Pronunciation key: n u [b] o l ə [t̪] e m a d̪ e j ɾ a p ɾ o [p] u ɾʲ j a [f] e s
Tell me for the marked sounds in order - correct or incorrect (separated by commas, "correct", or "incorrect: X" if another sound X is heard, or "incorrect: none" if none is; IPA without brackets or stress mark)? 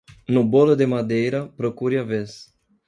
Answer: correct, incorrect: d̪, incorrect: k, incorrect: v